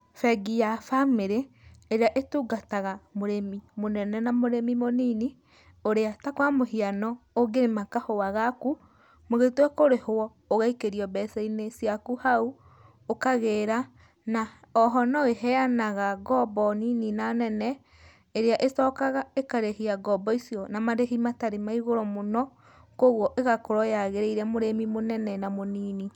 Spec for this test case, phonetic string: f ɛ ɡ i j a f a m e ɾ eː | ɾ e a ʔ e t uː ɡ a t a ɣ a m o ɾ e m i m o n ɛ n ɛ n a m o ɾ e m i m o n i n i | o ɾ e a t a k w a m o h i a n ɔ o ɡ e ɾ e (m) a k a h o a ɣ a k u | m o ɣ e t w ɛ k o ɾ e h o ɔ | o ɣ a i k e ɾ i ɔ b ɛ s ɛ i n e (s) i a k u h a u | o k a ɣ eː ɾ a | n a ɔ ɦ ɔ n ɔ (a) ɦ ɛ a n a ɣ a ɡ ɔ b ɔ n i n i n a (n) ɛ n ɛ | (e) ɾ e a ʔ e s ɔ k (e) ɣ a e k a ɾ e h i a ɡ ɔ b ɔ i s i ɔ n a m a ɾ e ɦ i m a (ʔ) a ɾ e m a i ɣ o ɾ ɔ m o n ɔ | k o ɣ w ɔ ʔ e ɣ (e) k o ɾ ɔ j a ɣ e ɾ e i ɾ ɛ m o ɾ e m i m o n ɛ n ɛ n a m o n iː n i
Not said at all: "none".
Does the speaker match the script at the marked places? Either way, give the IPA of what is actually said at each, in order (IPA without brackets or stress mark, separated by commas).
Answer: m, s, e, n, e, a, t, a